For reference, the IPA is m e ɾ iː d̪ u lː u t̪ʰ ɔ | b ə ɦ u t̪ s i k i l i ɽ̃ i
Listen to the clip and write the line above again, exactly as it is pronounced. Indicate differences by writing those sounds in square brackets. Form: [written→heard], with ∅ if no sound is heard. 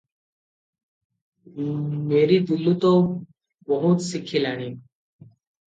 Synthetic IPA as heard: m e ɾ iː d̪ u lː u [t̪ʰ→t̪] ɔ | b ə ɦ u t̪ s i [k→kʰ] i l [i→a] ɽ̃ i